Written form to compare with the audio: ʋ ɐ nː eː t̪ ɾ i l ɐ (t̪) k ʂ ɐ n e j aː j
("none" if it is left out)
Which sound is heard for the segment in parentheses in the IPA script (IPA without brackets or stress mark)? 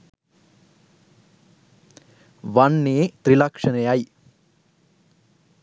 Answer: none